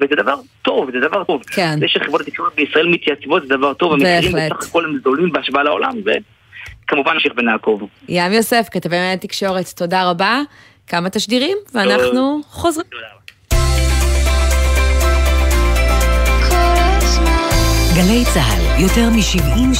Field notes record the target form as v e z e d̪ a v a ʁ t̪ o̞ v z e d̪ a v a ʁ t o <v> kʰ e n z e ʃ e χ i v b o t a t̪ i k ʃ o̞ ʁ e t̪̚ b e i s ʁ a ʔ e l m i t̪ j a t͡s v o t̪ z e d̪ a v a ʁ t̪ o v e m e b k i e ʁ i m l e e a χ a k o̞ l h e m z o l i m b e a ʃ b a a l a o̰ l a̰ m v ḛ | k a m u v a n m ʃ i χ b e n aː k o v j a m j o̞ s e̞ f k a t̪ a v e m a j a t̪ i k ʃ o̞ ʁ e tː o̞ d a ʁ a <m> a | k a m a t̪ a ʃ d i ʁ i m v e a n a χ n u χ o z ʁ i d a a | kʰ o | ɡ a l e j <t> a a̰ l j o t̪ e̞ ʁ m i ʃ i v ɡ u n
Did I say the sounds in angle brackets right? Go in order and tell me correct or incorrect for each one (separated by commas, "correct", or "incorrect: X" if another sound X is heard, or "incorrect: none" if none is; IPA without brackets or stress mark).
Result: correct, incorrect: b, incorrect: t͡s